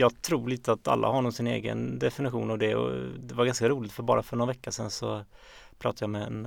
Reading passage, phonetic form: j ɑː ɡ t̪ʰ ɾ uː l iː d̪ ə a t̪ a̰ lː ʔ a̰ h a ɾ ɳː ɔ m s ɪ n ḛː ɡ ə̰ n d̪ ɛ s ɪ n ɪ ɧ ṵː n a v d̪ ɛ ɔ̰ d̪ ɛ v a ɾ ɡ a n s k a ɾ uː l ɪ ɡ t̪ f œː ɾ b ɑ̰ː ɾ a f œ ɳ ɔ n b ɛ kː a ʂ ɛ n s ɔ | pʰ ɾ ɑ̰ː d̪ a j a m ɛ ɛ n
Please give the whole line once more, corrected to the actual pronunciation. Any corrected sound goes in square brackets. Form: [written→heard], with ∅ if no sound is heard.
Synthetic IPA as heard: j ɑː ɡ t̪ʰ ɾ uː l iː [d̪→t̪] ə a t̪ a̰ lː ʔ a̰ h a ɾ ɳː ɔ m s ɪ n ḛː ɡ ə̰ n d̪ ɛ [s→f] ɪ n ɪ ɧ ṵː n a v d̪ ɛ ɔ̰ d̪ ɛ v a ɾ ɡ a n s k a ɾ uː l ɪ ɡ t̪ f [œː→œ] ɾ b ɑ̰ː ɾ a f œ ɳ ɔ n [b→v] ɛ kː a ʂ ɛ n s ɔ | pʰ ɾ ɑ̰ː [d̪→t̪] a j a m ɛ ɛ n